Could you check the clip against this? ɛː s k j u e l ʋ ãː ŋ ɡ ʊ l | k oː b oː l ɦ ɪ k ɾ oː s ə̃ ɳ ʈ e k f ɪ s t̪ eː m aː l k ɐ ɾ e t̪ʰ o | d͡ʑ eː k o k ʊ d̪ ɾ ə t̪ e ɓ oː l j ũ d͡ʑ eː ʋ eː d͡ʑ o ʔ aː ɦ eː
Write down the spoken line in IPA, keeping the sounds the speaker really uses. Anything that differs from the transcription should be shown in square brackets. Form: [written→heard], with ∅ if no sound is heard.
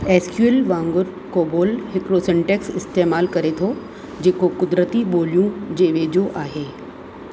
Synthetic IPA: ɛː s k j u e l ʋ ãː ŋ ɡ ʊ [l→ɾ] | k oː b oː l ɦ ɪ k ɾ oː s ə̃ ɳ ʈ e k [f→s] ɪ s t̪ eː m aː l k ɐ ɾ e t̪ʰ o | d͡ʑ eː k o k ʊ d̪ ɾ ə t̪ [e→i] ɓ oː l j ũ d͡ʑ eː ʋ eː d͡ʑ o ʔ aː ɦ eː